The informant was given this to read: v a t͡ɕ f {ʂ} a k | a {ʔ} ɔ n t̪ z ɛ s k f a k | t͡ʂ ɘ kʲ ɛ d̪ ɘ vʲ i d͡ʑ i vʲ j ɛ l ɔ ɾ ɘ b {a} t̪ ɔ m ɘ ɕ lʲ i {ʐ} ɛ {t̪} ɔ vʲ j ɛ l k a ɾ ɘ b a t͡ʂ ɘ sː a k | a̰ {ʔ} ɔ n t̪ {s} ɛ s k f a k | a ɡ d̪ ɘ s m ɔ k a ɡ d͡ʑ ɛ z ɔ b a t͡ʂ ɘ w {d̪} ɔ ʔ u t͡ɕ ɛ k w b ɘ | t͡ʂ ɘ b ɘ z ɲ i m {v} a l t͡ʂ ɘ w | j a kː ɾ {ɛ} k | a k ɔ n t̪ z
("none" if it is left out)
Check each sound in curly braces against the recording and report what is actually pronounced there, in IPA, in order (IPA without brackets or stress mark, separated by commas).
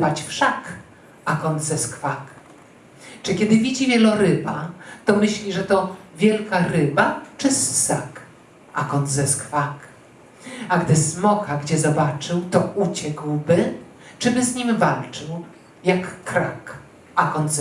ʂ, k, a, ʐ, t̪, k, z, t̪, v, a